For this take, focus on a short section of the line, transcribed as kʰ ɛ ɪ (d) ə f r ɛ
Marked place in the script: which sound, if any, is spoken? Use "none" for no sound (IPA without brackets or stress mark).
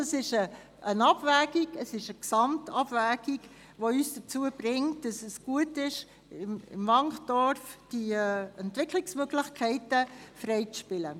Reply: t